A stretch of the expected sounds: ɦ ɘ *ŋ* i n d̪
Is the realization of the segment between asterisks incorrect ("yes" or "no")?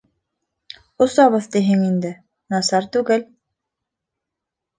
no